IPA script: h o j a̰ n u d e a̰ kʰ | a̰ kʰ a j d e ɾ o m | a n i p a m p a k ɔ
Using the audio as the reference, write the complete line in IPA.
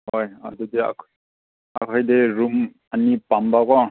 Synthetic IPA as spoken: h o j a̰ d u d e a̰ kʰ | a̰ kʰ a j d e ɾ u m | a n i p a m b a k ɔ